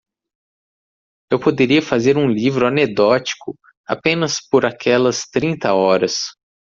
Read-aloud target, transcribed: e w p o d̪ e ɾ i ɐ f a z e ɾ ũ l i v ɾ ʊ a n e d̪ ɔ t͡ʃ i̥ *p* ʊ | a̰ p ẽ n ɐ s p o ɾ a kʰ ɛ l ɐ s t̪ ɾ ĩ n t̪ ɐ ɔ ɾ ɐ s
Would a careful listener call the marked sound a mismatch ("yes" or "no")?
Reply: yes